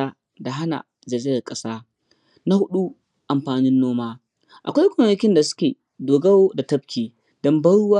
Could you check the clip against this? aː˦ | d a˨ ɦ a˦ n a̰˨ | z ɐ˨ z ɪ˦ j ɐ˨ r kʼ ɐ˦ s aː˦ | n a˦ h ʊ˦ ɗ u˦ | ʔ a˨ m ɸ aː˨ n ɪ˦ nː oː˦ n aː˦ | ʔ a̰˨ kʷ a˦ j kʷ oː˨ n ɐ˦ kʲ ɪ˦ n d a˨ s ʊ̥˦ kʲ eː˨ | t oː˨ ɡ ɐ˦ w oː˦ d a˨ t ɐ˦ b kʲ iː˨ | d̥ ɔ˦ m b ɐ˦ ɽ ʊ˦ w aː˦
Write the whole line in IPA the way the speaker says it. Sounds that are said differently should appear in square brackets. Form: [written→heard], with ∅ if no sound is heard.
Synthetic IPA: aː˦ | d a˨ ɦ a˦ n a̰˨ | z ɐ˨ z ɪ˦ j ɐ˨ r kʼ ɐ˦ s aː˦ | n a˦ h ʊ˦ ɗ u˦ | ʔ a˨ m ɸ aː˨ n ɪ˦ nː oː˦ [n→m] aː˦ | ʔ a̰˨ kʷ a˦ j kʷ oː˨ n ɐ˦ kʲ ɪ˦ n d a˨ s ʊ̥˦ kʲ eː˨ | [t→d] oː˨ ɡ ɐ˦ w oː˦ d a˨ t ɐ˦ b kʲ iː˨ | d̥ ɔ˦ m b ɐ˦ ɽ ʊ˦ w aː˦